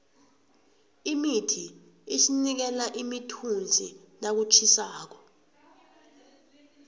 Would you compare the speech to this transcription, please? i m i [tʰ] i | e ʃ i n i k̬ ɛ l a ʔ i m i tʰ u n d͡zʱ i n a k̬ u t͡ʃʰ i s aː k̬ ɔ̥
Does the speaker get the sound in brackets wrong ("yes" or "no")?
no